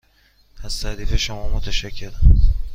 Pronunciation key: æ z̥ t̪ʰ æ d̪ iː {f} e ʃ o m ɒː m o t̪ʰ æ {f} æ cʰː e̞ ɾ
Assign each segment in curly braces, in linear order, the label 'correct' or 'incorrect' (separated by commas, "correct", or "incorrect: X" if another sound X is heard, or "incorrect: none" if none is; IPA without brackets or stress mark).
correct, incorrect: ʃ